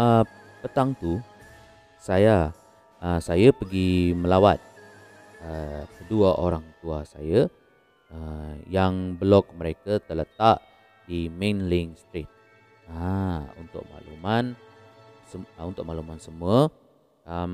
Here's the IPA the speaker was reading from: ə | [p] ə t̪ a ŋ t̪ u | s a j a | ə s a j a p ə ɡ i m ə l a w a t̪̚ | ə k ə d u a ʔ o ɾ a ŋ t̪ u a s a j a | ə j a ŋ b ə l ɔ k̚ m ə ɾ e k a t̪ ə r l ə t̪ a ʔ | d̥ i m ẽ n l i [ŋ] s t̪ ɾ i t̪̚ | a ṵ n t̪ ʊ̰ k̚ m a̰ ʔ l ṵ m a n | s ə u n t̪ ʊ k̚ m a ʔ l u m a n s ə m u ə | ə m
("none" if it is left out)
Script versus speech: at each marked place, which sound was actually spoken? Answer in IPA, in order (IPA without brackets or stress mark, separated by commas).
p, ŋ